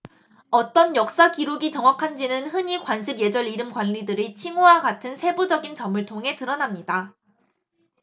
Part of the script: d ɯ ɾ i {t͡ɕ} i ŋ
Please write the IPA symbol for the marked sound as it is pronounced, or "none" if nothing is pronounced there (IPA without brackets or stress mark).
t͡ɕʰ